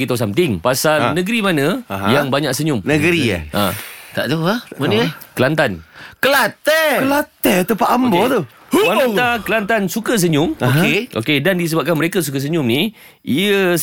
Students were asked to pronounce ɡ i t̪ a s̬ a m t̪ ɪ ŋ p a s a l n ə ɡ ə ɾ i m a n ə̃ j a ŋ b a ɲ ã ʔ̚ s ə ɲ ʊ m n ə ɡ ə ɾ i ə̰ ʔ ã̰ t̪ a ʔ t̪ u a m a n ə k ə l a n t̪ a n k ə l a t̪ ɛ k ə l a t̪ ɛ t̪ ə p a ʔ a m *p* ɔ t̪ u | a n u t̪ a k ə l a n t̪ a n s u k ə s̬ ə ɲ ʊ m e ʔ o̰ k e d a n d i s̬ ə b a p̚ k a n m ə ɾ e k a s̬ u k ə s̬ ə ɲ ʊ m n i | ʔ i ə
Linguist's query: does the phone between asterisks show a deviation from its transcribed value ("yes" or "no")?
yes